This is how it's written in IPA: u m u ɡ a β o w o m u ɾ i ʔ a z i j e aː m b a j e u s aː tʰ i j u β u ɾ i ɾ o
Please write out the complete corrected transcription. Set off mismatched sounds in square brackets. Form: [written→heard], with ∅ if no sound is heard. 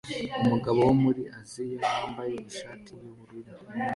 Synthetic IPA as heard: u m u ɡ a β o w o m u ɾ i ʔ a z i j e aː m b a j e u [s→ʃ] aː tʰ i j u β u ɾ i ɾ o